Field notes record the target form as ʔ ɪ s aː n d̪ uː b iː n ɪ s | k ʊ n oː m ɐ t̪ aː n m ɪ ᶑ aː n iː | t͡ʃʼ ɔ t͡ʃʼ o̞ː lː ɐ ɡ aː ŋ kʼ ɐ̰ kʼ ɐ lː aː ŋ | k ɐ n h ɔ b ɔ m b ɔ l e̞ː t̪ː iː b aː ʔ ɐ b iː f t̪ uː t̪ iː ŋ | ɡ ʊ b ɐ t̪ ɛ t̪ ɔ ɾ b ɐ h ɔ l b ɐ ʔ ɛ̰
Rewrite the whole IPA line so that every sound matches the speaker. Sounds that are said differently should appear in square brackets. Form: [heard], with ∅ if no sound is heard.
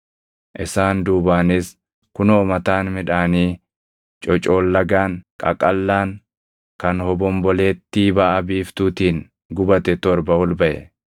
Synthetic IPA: ʔ ɪ s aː n d̪ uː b [aː] n ɪ s | k ʊ n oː m ɐ t̪ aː n m ɪ ᶑ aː n iː | t͡ʃʼ ɔ t͡ʃʼ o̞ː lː ɐ ɡ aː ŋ kʼ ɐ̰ kʼ ɐ lː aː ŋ | k ɐ n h ɔ b ɔ m b ɔ l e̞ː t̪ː iː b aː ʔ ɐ b iː f t̪ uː t̪ iː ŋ | ɡ ʊ b ɐ t̪ ɛ t̪ ɔ ɾ b ɐ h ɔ l b ɐ ʔ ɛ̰